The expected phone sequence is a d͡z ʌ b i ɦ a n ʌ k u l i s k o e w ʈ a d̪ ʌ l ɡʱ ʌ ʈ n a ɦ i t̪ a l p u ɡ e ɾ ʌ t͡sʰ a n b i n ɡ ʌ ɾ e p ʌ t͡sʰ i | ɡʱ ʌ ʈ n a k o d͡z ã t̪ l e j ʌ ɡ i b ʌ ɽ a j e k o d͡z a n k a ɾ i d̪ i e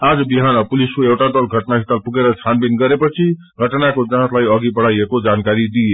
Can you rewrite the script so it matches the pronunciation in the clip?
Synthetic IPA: a d͡z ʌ b i ɦ a n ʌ p u l i s k o e w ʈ a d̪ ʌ l ɡʱ ʌ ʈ n a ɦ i t̪ a l p u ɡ e ɾ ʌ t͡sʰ a n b i n ɡ ʌ ɾ e p ʌ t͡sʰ i | ɡʱ ʌ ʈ n a k o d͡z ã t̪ l a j ʌ ɡ i b ʌ ɽ a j e k o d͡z a n k a ɾ i d̪ i e